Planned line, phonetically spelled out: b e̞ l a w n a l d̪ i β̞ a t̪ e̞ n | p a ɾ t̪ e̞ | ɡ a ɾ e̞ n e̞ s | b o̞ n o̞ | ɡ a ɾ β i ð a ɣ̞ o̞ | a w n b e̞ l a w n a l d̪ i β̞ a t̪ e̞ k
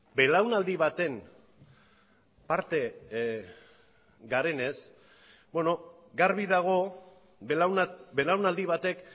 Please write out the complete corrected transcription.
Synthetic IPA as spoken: b e̞ l a w n a l d̪ i β̞ a t̪ e̞ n | p a ɾ t̪ e̞ | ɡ a ɾ e̞ n e̞ s | b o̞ n o̞ | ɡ a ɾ β i ð a ɣ̞ o̞ | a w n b e̞ l a w n a l d̪ i β̞ a t̪ e̞ k

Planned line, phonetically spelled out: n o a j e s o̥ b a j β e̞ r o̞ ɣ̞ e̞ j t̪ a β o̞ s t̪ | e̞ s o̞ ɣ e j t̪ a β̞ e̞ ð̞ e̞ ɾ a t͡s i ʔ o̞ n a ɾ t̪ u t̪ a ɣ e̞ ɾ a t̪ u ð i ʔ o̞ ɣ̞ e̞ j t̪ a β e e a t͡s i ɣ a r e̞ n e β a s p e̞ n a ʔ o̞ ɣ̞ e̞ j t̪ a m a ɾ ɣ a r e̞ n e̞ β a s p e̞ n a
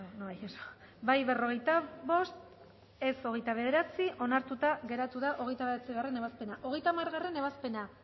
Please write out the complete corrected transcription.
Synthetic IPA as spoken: n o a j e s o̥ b a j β e̞ r o̞ ɣ̞ e̞ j t̪ a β o̞ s t̪ | e̞ s o̞ ɣ e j t̪ a β̞ e̞ ð̞ e̞ ɾ a t͡s i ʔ o̞ n a ɾ t̪ u t̪ a ɣ e̞ ɾ a t̪ u ð a ʔ o̞ ɣ̞ e̞ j t̪ a β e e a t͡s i ɣ a r e̞ n e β a s p e̞ n a ʔ o̞ ɣ̞ e̞ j t̪ a m a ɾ ɣ a r e̞ n e̞ β a s p e̞ n a

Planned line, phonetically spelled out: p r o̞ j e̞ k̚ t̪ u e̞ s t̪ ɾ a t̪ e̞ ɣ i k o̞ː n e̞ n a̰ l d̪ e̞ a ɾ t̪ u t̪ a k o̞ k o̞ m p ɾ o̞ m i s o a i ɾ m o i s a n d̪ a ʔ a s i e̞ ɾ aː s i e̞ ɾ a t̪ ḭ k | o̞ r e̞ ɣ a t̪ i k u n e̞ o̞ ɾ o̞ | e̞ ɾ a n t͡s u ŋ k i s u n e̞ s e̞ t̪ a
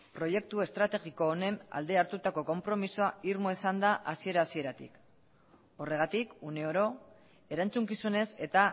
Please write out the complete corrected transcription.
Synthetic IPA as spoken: p ɾ o̞ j e̞ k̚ t̪ u e̞ s t̪ ɾ a t̪ e̞ ɣ i k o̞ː n e̞ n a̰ l d̪ e̞ a ɾ t̪ u t̪ a k o̞ k o̞ m p ɾ o̞ m i s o a i ɾ m o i s a n d̪ a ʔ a s i e̞ ɾ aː s i e̞ ɾ a t̪ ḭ k | o̞ r e̞ ɣ a t̪ i k u n e̞ o̞ ɾ o̞ | e̞ ɾ a n t͡s u ŋ k i s u n e̞ s e̞ t̪ a

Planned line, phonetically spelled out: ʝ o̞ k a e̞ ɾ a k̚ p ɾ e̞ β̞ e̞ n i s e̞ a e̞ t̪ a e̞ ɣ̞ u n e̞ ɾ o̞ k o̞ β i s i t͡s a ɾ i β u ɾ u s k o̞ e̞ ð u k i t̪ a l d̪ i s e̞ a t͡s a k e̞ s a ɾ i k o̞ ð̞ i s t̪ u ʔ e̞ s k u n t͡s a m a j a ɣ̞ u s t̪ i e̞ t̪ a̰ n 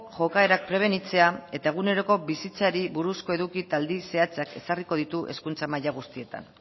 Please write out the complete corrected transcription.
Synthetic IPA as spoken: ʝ o̞ k a e̞ ɾ a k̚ p ɾ e̞ β̞ e̞ n i t͡s e̞ a e̞ t̪ a e̞ ɣ̞ u n e̞ ɾ o̞ k o̞ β i s i t͡s a ɾ i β u ɾ u s k o̞ e̞ ð u k i t̪ a l d̪ i s e̞ a t͡s a k e̞ s a r i k o̞ ð̞ i t̪ u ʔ e̞ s k u n t͡s a m a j a ɣ̞ u s t̪ i e̞ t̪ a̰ n

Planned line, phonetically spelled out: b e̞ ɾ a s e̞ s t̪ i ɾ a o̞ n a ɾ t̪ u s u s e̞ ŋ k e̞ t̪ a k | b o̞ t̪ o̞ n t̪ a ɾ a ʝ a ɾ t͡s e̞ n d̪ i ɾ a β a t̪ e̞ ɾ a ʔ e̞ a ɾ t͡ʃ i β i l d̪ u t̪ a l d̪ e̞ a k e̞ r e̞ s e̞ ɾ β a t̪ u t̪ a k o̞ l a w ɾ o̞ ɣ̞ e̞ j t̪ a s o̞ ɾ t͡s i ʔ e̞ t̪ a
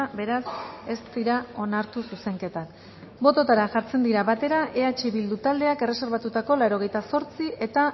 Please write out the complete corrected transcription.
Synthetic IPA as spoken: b e̞ ɾ a s e̞ s t̪ i ɾ a o̞ n a ɾ t̪ u s u s e̞ ŋ k e̞ t̪ a k | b o̞ t̪ o̞ t̪ a ɾ a ʝ a ɾ t͡s e̞ n d̪ i ɾ a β a t̪ e̞ ɾ a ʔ e̞ a t͡ʃ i β i l d̪ u t̪ a l d̪ e̞ a k e̞ r e̞ s e̞ ɾ β a t̪ u t̪ a k o̞ l a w ɾ o̞ ɣ̞ e̞ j t̪ a s o̞ ɾ t͡s i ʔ e̞ t̪ a

